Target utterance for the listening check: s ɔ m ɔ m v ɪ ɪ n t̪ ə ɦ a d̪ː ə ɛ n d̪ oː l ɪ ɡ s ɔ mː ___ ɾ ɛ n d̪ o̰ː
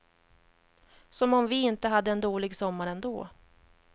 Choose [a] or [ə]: a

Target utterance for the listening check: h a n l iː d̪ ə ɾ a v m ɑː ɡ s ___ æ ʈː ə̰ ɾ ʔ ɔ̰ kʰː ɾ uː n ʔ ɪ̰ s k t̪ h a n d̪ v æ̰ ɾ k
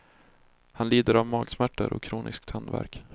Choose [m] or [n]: m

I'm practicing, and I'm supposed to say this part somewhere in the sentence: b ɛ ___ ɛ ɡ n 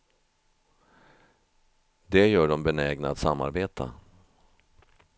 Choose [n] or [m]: n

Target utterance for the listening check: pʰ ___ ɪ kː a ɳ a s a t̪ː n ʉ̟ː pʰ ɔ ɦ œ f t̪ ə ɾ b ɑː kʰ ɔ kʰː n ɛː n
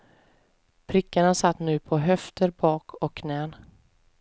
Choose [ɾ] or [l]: ɾ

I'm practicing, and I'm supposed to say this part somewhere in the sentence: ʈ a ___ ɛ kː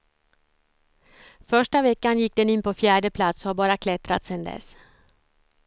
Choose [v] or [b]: v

